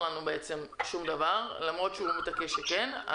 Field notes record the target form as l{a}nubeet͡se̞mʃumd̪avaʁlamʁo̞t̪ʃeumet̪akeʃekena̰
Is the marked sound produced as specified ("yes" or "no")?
yes